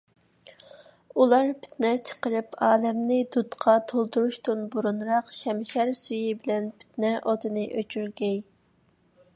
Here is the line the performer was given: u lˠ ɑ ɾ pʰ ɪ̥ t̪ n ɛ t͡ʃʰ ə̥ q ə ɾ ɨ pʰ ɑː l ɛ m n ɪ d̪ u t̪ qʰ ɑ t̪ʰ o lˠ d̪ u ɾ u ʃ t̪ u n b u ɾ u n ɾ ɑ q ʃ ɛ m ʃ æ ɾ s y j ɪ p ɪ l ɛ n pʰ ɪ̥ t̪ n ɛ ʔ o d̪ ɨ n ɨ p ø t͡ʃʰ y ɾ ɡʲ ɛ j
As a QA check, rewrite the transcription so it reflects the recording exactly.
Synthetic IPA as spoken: u lˠ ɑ ɾ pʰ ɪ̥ t̪ n ɛ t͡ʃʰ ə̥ q ə ɾ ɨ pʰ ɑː l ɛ m n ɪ d̪ u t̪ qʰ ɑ t̪ʰ o lˠ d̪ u ɾ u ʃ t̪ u n b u ɾ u n ɾ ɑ q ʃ ɛ m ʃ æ ɾ s y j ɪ b ɪ l ɛ n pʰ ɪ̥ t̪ n ɛ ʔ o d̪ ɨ n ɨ ʔ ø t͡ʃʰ y ɾ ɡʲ ɛ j